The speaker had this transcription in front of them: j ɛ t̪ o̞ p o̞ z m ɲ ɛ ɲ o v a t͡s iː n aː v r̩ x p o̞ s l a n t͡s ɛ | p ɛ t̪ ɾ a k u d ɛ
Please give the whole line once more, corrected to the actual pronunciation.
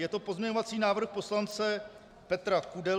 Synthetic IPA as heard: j ɛ t̪ o̞ p o̞ z m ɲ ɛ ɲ o v a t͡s iː n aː v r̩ x p o̞ s l a n t͡s ɛ | p ɛ t̪ ɾ a k u d ɛ